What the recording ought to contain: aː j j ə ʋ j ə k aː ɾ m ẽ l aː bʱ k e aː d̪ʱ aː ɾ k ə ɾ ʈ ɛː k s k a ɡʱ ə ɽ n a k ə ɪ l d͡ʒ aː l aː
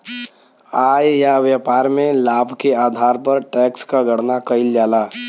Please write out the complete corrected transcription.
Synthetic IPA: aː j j a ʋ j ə p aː ɾ m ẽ l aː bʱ k e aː d̪ʱ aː ɾ p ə ɾ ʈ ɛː k s k a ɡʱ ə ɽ n a k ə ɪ l d͡ʒ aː l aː